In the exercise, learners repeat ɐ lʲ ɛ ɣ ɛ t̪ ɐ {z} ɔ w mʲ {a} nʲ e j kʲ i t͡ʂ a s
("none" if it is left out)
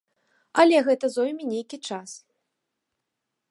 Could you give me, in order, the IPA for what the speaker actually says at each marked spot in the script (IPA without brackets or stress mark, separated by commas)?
z, i